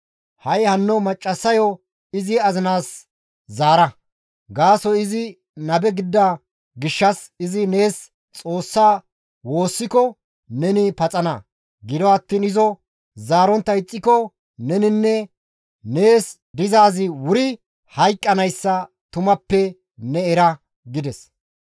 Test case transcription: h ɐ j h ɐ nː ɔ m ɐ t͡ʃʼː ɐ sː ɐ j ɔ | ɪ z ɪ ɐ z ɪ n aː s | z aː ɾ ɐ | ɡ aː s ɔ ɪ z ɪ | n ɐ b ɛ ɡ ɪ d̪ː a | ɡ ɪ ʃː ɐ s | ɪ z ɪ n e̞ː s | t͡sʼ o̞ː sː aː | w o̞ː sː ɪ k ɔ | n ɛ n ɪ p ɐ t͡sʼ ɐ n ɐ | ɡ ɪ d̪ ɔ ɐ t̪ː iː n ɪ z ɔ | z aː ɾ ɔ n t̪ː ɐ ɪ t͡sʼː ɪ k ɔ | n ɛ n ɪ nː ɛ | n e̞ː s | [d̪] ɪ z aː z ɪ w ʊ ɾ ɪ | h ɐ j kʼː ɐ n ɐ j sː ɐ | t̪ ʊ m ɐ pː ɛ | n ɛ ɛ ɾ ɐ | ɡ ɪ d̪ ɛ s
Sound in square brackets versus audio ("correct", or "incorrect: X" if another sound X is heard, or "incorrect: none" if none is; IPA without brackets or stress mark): correct